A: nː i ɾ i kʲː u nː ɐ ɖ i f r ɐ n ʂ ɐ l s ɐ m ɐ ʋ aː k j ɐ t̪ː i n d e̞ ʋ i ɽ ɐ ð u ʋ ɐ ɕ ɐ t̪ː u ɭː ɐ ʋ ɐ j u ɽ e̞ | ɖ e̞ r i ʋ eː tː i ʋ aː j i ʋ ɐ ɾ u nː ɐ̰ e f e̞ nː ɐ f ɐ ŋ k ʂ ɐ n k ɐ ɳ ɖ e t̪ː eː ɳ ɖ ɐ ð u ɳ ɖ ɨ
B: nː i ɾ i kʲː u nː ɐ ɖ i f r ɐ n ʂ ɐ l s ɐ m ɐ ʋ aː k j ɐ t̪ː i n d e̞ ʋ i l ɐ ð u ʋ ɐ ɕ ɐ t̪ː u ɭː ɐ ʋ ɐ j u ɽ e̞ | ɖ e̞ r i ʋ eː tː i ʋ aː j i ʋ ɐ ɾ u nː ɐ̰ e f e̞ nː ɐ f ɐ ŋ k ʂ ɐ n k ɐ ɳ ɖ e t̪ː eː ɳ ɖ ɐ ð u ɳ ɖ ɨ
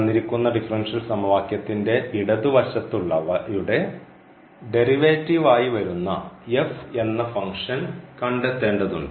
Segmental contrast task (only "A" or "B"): A